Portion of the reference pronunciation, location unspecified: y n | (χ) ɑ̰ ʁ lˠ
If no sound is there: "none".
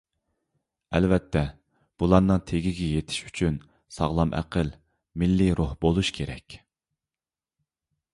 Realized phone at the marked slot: s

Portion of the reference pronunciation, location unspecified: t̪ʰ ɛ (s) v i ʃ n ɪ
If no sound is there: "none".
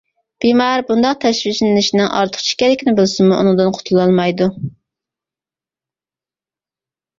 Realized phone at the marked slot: ʃ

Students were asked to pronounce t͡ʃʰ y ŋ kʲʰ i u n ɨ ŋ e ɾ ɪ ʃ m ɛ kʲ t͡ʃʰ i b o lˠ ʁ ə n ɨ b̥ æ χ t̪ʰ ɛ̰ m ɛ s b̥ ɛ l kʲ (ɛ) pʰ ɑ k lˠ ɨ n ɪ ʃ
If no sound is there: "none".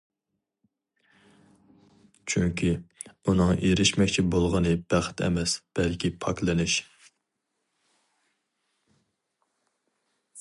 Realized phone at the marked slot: i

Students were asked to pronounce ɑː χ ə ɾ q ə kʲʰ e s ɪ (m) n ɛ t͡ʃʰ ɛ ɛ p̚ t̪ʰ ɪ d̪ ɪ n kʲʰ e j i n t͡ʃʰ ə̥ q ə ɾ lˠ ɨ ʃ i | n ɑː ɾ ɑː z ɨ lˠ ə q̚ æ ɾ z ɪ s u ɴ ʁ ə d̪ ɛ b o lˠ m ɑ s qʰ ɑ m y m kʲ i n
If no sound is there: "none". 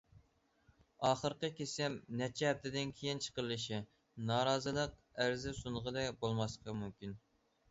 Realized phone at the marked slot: m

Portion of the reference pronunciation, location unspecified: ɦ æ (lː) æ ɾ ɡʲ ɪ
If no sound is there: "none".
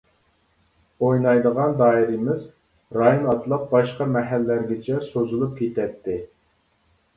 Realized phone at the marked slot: lː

